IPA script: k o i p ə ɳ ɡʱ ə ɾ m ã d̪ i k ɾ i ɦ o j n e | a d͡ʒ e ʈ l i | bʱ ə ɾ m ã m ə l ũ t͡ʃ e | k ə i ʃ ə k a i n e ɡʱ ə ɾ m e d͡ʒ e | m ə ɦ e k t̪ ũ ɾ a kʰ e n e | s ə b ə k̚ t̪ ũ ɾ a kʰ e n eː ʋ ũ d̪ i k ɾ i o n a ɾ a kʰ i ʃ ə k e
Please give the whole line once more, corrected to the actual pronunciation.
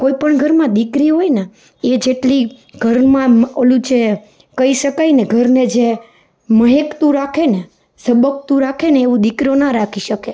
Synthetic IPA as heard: k o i p ə ɳ ɡʱ ə ɾ m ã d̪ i k ɾ i ɦ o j n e | e d͡ʒ e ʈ l i | ɡʱ ə ɾ m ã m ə l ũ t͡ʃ e | k ə i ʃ ə k a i n e ɡʱ ə ɾ n e d͡ʒ e | m ə ɦ e k t̪ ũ ɾ a kʰ e n e | s ə b ə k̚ t̪ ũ ɾ a kʰ e n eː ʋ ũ d̪ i k ɾ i o n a ɾ a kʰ i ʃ ə k e